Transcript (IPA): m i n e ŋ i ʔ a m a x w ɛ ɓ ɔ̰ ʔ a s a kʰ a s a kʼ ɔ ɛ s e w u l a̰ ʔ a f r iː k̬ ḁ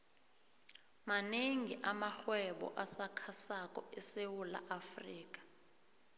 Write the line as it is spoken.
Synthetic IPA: m a n e ŋ i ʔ a m a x w ɛ ɓ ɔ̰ ʔ a s a kʰ a s a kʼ ɔ ɛ s e w u l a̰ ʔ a f r iː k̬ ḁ